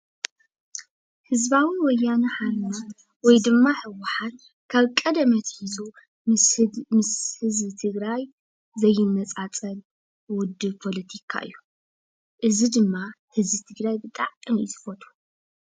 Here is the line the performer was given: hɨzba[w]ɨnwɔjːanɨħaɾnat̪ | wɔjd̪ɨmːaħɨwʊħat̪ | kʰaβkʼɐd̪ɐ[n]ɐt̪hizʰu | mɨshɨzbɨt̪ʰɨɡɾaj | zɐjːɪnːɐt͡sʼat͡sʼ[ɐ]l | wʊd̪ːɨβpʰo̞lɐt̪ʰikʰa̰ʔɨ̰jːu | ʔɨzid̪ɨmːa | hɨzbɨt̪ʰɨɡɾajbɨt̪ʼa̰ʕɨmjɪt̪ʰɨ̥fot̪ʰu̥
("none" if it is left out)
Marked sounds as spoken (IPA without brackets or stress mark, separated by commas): w, m, ɐ